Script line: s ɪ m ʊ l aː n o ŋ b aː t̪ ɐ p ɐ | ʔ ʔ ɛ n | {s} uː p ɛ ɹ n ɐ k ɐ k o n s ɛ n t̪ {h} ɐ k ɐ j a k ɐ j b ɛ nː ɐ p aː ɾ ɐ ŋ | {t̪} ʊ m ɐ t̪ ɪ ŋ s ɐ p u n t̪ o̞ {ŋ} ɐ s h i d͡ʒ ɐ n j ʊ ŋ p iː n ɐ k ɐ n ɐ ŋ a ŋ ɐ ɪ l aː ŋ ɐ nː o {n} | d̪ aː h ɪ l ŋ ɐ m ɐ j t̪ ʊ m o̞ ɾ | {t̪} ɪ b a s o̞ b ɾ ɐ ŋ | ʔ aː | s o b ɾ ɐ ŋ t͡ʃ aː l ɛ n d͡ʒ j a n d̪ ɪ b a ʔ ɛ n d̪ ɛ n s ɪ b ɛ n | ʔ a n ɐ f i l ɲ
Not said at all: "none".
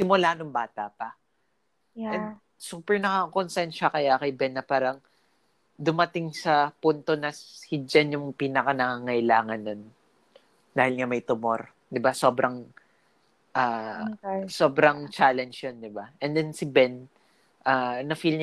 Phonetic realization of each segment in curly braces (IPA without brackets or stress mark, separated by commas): s, ʃ, d̪, n, n, d̪